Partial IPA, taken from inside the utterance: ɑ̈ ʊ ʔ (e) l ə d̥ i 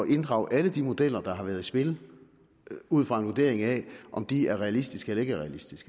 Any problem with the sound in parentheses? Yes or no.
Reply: yes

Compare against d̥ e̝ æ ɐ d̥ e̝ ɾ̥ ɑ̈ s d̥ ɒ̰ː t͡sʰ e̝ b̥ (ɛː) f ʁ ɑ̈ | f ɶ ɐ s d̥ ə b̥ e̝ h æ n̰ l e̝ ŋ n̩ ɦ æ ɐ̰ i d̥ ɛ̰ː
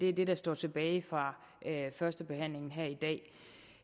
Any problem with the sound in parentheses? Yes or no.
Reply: no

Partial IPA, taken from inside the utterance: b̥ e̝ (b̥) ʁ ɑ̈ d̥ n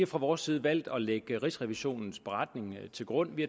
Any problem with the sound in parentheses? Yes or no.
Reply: yes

